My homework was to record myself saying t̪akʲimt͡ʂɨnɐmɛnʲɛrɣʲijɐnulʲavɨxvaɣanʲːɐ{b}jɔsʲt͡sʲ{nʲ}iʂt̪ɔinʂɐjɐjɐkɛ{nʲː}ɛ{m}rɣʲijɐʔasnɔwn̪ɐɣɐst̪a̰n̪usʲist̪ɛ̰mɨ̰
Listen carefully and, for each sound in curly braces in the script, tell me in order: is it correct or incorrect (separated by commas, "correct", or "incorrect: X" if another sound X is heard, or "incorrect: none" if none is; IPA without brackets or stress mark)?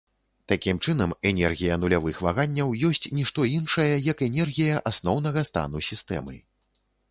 incorrect: w, correct, incorrect: nʲ, incorrect: none